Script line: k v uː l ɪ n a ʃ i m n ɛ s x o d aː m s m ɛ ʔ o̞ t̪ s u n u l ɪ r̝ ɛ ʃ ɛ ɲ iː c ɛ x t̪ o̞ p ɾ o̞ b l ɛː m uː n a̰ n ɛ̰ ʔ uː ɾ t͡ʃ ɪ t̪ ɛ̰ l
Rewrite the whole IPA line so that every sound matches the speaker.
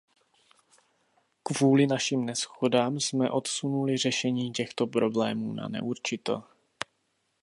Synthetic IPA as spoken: k v uː l ɪ n a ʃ i m n ɛ s x o d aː m s m ɛ ʔ o̞ t̪ s u n u l ɪ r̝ ɛ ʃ ɛ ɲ iː c ɛ x t̪ o̞ p ɾ o̞ b l ɛː m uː n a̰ n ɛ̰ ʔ u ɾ t͡ʃ ɪ t̪ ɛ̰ l